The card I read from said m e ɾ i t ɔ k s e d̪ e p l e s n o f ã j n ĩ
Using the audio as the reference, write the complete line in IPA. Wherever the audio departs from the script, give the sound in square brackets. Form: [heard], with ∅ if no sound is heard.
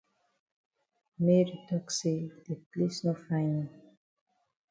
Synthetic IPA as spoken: m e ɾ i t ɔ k s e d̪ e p l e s n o f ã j n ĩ